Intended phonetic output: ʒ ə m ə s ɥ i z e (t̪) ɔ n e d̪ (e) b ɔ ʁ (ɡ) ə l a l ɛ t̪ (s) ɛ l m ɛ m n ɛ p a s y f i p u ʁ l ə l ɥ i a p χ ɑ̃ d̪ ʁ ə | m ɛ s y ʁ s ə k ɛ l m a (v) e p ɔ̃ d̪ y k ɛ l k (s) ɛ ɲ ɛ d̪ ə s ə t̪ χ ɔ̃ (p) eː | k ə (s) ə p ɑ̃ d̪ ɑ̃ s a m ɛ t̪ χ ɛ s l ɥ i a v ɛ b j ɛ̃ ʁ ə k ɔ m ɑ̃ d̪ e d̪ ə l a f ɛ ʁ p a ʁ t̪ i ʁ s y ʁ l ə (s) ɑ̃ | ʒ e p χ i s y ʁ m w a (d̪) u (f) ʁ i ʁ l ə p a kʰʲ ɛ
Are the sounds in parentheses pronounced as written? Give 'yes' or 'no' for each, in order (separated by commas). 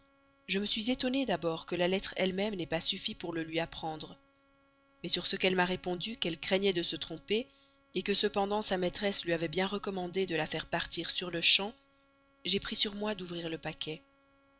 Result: yes, no, no, no, no, no, yes, yes, no, yes, no